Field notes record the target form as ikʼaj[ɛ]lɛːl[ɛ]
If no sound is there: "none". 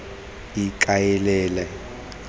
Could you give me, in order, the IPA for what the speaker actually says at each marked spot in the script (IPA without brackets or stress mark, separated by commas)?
ɛ, ɛ